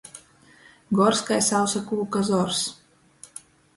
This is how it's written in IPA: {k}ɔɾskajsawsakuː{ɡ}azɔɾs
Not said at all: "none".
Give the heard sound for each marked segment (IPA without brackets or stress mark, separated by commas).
ɡ, k